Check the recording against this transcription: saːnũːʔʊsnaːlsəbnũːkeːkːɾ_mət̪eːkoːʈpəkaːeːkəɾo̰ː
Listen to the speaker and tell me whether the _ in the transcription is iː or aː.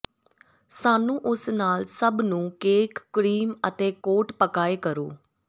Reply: iː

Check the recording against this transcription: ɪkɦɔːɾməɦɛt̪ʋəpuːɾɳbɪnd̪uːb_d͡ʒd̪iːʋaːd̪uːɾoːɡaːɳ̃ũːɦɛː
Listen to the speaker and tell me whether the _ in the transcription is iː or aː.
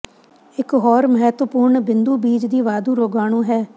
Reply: iː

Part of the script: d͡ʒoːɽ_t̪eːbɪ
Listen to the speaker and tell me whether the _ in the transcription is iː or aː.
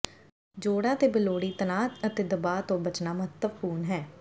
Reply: aː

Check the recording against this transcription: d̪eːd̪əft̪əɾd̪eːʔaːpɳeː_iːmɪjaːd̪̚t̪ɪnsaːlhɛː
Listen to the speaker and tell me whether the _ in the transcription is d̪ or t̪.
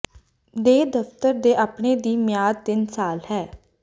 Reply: d̪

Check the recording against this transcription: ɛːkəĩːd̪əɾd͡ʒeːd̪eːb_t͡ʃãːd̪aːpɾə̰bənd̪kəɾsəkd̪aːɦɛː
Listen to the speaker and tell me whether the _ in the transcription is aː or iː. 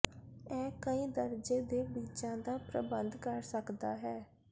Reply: iː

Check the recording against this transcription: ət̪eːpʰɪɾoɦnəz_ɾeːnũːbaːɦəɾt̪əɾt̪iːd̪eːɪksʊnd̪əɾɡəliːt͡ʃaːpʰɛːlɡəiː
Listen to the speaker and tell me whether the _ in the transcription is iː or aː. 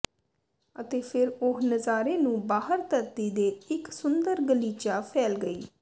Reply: aː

